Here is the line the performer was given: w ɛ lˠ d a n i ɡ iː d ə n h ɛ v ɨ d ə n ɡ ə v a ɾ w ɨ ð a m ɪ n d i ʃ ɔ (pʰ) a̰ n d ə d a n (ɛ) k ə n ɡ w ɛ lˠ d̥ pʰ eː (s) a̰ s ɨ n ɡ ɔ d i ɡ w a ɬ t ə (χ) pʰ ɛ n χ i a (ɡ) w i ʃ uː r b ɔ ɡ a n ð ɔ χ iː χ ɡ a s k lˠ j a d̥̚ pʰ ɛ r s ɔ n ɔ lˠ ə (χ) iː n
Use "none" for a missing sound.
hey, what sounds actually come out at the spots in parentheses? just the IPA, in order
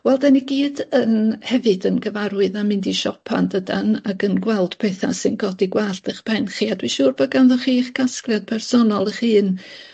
pʰ, a, θ, χ, d, χ

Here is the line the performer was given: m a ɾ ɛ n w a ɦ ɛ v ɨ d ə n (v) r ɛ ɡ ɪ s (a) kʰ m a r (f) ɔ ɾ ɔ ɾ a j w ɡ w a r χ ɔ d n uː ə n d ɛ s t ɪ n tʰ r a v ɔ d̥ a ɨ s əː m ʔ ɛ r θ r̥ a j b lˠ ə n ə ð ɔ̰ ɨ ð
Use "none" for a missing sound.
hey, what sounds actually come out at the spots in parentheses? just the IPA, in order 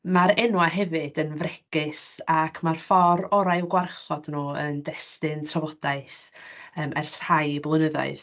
v, a, f

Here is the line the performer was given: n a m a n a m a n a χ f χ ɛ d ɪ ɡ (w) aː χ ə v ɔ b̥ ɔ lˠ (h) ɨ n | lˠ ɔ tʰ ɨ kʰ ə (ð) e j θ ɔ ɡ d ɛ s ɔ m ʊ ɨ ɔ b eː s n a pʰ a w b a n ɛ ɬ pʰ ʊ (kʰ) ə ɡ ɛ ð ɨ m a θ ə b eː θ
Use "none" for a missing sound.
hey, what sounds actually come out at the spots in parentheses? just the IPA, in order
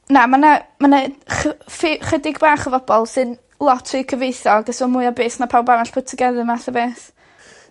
b, s, v, tʰ

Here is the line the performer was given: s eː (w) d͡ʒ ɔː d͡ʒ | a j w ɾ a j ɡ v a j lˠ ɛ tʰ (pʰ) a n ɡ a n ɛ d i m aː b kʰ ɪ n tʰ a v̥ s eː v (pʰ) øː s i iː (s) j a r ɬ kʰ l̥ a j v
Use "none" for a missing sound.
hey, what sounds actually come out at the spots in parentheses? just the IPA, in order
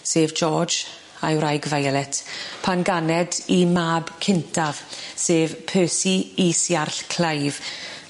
v, pʰ, pʰ, s

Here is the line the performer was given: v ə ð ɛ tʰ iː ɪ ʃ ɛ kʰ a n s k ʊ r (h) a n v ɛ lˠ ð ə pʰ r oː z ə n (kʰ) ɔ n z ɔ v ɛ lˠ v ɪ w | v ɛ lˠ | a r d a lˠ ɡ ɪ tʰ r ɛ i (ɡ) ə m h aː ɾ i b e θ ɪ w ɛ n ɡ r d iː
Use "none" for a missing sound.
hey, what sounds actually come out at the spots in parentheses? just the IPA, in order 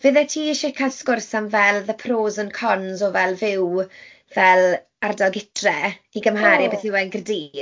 s, kʰ, ɡ

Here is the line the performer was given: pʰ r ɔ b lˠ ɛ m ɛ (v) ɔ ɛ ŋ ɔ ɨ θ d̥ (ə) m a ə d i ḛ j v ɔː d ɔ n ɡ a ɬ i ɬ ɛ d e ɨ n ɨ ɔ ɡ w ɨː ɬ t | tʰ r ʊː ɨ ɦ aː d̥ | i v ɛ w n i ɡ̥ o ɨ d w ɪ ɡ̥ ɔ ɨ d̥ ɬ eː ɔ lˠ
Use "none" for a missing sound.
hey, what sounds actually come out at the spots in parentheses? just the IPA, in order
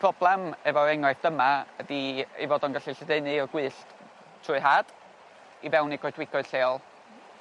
v, ə

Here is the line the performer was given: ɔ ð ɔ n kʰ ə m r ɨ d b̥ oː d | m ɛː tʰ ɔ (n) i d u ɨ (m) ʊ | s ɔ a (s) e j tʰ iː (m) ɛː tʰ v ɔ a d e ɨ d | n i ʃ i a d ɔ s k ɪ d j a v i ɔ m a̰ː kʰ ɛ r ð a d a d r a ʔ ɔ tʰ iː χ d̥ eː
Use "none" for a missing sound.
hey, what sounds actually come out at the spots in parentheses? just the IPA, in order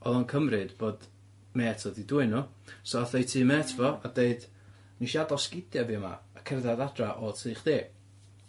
d, n, θ, m

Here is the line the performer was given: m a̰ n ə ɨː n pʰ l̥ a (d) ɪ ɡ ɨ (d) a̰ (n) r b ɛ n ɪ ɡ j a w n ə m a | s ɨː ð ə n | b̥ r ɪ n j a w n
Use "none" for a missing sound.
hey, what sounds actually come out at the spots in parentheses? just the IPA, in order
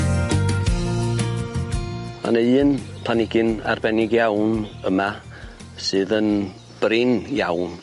n, n, none

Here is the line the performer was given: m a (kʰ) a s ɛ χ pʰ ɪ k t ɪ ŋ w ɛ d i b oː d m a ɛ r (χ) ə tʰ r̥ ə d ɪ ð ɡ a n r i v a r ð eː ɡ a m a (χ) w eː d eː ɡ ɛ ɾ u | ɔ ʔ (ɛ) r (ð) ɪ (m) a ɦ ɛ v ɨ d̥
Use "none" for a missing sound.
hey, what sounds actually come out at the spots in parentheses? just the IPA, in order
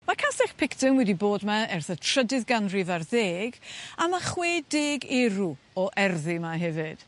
kʰ, θ, χ, ɛ, ð, m

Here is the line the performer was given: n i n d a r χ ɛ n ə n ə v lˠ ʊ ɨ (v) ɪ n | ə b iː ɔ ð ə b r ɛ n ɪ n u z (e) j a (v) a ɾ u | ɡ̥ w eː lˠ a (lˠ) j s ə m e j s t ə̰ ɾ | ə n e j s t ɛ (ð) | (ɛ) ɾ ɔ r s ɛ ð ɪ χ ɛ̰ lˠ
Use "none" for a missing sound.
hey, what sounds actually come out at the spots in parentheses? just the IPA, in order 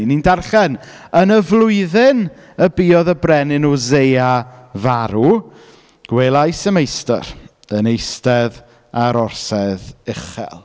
ð, e, v, none, ð, a

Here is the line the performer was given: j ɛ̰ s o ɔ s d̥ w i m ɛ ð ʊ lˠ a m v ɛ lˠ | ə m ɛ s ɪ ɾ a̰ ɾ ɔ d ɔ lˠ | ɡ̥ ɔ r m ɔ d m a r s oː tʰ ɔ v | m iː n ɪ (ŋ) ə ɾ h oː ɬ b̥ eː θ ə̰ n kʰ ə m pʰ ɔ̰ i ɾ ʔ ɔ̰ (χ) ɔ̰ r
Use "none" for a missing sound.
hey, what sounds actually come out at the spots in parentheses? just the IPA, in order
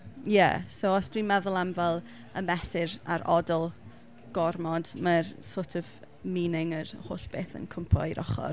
ŋ, χ

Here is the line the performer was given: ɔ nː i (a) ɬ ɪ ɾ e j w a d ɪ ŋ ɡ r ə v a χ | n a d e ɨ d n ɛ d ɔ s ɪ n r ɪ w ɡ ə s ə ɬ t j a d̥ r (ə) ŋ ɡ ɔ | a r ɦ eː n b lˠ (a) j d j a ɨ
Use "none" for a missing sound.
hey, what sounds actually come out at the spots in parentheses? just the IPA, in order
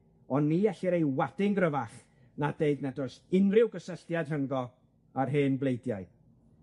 ɛ, ə, e

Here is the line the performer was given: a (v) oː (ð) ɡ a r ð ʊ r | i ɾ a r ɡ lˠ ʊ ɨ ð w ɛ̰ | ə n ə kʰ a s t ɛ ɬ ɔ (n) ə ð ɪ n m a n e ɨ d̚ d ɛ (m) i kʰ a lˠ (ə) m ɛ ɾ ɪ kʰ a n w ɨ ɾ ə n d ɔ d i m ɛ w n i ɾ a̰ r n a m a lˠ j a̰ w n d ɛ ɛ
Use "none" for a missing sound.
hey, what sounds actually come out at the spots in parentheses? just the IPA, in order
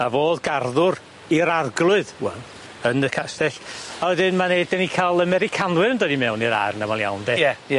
v, ð, none, n, ə

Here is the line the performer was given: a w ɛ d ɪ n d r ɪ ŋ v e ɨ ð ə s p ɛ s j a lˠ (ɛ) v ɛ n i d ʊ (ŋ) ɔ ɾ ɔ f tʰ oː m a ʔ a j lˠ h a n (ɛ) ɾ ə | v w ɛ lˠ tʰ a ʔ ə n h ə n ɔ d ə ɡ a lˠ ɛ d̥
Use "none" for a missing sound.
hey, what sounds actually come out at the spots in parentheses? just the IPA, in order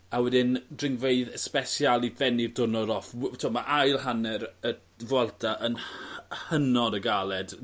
i, n, ɛ

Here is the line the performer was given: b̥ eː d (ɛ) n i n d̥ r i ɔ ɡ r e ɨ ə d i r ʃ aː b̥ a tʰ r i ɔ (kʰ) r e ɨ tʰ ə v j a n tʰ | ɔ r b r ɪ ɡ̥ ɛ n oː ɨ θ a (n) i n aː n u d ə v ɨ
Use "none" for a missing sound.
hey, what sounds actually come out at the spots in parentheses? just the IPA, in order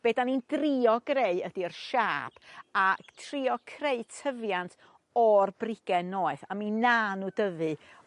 a, kʰ, m

